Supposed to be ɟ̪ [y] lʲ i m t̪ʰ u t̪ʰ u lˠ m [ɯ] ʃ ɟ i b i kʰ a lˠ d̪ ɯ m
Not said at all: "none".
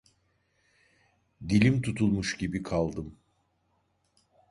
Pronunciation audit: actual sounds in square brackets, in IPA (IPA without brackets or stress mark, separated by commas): i, u